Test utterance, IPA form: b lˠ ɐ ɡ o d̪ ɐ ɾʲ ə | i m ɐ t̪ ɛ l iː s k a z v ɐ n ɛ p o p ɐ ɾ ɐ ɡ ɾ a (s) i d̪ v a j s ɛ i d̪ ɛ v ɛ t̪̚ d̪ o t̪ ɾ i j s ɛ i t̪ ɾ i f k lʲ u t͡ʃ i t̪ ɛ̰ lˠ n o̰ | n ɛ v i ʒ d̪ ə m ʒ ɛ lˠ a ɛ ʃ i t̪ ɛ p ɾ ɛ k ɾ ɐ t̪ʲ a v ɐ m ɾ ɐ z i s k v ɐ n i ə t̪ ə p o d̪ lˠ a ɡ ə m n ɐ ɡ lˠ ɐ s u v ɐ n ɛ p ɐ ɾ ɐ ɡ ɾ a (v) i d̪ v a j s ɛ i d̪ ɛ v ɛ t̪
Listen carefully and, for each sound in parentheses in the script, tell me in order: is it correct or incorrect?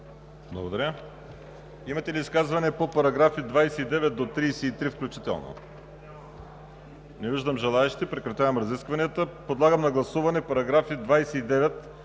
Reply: incorrect, incorrect

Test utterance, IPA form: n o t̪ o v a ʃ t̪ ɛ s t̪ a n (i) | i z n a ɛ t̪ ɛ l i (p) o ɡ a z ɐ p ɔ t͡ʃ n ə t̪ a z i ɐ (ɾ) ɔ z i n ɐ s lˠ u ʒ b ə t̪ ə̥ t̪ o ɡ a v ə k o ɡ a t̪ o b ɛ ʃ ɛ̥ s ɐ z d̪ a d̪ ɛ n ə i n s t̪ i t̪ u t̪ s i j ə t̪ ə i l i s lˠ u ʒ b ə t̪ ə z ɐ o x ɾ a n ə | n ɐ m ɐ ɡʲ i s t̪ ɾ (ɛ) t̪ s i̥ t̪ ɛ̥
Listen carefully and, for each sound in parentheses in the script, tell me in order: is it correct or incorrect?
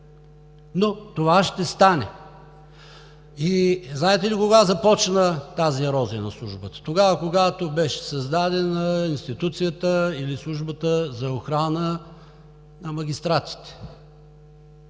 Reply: incorrect, incorrect, correct, incorrect

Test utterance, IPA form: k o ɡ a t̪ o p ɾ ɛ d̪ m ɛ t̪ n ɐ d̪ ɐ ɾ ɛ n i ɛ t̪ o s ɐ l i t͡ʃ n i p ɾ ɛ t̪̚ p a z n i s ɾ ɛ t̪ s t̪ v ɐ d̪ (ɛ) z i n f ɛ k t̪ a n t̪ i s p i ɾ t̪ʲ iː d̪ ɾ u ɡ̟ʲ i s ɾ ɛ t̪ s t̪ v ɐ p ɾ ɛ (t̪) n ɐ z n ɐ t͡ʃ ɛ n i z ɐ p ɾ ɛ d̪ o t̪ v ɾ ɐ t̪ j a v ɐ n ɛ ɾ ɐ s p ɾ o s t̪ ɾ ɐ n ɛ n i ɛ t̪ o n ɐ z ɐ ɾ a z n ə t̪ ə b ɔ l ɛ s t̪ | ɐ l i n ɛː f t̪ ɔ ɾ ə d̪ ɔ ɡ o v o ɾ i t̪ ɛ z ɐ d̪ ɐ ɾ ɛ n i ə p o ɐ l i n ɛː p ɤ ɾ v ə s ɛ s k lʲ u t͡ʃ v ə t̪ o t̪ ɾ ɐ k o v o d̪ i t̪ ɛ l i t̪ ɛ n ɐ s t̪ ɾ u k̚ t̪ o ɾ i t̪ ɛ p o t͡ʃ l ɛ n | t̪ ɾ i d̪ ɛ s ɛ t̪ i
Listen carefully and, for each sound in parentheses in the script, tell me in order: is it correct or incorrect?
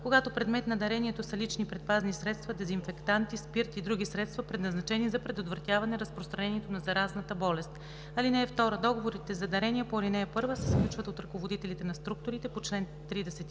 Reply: correct, incorrect

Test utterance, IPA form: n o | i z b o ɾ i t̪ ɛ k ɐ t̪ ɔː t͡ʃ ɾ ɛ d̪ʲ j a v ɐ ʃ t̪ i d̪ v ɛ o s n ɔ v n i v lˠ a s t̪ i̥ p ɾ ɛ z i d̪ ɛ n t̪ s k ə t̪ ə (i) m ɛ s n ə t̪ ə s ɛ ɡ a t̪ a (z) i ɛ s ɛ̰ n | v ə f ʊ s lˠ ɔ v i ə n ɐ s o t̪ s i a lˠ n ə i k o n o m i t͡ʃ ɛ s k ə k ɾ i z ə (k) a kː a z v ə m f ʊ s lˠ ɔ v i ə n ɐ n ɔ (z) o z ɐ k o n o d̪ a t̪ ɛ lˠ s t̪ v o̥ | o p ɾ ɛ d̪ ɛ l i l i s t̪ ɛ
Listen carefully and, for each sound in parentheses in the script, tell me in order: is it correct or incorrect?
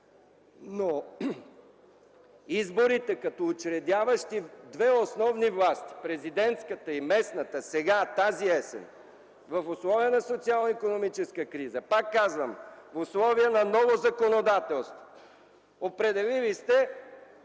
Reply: correct, correct, incorrect, incorrect

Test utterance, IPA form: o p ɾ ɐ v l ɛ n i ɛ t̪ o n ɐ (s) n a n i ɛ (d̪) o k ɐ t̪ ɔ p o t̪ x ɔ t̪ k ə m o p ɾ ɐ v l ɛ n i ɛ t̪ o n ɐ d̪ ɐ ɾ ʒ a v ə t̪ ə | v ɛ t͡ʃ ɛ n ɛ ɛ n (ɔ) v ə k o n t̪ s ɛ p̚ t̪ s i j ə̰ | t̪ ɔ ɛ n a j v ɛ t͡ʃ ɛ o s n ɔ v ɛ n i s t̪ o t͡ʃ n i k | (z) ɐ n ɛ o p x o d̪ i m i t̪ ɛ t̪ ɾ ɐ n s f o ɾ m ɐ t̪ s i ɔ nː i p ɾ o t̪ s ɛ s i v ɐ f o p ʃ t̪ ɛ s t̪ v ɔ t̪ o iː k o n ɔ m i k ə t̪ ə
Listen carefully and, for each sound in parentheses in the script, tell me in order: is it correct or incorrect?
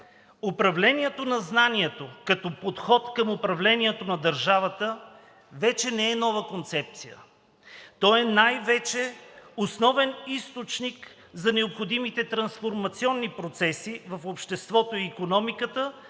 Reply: incorrect, incorrect, correct, correct

